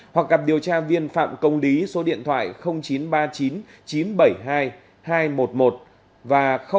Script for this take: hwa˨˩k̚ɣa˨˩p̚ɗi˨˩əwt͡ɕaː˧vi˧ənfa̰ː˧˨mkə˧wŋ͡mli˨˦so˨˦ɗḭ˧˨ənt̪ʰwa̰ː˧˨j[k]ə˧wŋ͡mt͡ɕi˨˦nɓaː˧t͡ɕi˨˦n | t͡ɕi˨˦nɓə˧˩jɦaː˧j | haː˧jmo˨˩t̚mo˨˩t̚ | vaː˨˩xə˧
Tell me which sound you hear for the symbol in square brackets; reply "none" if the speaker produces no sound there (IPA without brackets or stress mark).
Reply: x